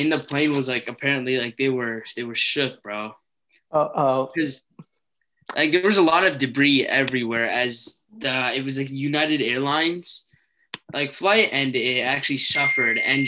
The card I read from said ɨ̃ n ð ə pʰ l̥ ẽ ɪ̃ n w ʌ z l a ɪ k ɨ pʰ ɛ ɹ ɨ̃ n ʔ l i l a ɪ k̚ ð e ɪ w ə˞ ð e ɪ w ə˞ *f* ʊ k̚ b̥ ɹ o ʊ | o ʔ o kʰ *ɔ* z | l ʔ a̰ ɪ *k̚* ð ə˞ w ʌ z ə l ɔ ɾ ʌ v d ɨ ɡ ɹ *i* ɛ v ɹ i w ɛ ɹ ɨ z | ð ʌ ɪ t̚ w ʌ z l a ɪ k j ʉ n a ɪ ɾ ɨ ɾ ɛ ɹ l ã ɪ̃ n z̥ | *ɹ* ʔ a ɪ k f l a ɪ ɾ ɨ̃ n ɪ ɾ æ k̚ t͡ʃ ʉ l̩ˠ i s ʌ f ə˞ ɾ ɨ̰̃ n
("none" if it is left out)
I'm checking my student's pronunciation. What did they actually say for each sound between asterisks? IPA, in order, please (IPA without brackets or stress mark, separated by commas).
ʃ, ʌ, k̚, i, l